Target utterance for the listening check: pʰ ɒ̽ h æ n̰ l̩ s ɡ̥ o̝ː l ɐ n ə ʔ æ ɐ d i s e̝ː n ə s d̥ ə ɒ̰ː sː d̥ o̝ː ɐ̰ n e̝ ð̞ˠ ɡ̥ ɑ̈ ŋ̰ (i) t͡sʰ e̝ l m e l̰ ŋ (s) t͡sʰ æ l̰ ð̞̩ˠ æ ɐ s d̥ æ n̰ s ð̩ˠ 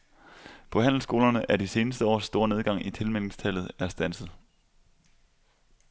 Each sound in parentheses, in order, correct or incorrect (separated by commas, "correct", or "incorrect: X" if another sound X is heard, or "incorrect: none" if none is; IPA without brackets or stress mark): correct, correct